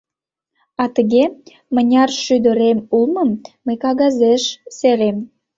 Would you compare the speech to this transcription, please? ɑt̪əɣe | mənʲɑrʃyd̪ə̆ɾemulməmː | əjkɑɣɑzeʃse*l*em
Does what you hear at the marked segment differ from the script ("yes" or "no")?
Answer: yes